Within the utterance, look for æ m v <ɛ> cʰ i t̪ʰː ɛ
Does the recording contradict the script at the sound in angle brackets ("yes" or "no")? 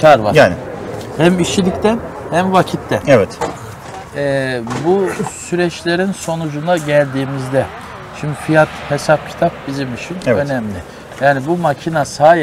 yes